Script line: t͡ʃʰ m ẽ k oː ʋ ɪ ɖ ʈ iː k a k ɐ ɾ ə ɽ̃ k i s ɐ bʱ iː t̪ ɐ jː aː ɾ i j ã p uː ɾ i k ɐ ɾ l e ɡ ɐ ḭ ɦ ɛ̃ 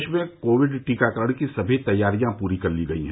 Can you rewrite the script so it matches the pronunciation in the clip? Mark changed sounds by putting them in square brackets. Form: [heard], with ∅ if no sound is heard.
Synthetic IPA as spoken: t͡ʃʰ m ẽ k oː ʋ ɪ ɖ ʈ iː k a k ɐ ɾ ə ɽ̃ k i s ɐ bʱ [i] t̪ ɐ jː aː ɾ i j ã p uː ɾ i k ɐ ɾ l [i] ɡ ɐ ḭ ɦ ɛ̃